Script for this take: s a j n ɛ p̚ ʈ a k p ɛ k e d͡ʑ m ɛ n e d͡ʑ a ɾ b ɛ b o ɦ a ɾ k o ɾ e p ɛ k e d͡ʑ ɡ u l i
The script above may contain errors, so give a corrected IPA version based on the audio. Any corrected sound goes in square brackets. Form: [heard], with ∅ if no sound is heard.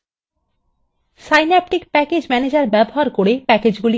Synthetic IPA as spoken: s a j n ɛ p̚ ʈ [i] k p ɛ k e d͡ʑ m ɛ n e d͡ʑ a ɾ b ɛ b o ɦ a ɾ k o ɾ e p ɛ k e d͡ʑ ɡ u l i